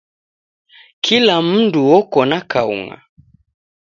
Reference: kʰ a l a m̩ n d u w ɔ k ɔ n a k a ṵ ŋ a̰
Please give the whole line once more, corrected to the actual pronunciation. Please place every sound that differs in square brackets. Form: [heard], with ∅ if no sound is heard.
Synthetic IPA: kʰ [i] l a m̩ n d u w ɔ k ɔ n a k a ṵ ŋ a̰